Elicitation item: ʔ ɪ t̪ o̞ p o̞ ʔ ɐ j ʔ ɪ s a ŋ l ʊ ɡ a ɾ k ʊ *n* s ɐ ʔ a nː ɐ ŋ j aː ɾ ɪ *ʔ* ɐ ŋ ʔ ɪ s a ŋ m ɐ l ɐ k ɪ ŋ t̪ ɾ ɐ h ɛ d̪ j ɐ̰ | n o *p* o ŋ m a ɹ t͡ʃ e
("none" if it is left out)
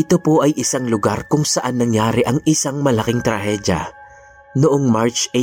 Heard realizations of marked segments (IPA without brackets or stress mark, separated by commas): ŋ, ʔ, ʔ